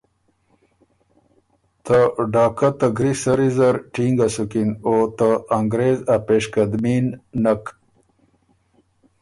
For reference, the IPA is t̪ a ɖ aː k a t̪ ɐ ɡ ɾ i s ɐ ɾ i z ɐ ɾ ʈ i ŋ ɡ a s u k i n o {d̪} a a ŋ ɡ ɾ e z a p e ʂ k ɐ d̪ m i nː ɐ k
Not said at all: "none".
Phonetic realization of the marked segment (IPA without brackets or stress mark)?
t̪